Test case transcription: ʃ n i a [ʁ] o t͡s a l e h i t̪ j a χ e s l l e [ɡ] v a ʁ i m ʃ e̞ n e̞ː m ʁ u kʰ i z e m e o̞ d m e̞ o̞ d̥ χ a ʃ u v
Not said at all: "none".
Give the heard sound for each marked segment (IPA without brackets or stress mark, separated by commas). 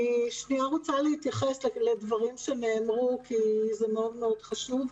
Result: ʁ, d